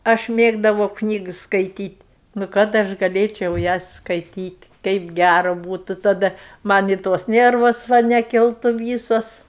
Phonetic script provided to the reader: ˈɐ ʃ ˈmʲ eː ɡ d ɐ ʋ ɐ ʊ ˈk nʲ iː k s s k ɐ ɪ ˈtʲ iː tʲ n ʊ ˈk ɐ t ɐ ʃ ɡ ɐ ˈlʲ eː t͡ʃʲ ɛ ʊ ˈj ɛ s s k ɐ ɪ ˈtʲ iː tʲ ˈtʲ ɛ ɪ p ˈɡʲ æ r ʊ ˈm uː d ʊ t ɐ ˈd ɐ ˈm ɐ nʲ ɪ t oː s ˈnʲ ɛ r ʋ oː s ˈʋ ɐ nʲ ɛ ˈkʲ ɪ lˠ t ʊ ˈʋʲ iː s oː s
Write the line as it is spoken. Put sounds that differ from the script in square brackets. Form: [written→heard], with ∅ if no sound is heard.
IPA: ˈɐ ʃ ˈmʲ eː ɡ d ɐ ʋ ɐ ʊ ˈk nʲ iː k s s k ɐ ɪ ˈtʲ iː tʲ n ʊ ˈk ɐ t ɐ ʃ ɡ ɐ ˈlʲ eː t͡ʃʲ ɛ ʊ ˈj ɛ s s k ɐ ɪ ˈtʲ iː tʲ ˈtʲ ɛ ɪ p ˈɡʲ æ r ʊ [ˈm→ˈb] uː [d→t] ʊ t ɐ ˈd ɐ ˈm ɐ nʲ ɪ t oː s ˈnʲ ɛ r ʋ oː s ˈʋ ɐ nʲ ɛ ˈkʲ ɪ lˠ t ʊ ˈʋʲ iː s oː s